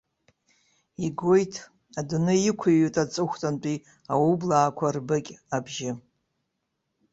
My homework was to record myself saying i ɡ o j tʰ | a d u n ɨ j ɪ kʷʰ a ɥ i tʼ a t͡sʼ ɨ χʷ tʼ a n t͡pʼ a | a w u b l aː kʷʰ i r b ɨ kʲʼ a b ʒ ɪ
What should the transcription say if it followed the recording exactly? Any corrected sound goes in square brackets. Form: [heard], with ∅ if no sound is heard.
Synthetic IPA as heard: i ɡ o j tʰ | a d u n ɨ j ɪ kʷʰ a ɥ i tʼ a t͡sʼ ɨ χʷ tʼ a n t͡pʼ [i] | a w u b l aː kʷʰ [a] r b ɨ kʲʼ a b ʒ ɪ